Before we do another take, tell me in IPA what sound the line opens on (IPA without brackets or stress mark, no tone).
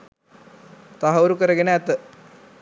t̪